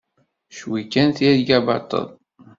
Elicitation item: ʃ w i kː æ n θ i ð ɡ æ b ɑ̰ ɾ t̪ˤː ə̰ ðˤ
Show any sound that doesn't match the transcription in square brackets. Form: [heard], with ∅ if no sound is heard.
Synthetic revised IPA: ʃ w i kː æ n θ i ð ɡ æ b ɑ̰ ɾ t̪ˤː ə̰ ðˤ